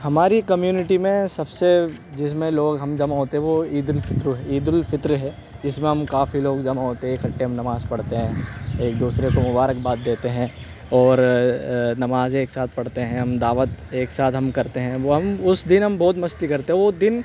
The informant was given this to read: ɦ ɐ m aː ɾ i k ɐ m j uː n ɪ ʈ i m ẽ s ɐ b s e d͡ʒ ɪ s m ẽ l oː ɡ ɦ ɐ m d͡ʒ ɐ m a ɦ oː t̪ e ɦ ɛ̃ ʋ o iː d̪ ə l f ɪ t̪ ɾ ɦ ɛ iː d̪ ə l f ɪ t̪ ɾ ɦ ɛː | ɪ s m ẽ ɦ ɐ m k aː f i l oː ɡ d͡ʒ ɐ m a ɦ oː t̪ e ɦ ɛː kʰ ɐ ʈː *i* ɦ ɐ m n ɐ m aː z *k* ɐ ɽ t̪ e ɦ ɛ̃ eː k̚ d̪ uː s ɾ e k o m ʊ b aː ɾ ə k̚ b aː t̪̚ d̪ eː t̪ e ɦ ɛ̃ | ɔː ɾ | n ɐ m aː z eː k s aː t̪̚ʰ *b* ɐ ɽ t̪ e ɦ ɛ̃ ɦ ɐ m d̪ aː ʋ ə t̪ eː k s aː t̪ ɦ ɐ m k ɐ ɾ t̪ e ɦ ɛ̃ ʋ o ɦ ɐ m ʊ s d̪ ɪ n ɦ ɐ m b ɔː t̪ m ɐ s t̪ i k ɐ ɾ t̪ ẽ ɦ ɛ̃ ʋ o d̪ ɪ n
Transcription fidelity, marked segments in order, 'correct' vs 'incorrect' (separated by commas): incorrect, incorrect, incorrect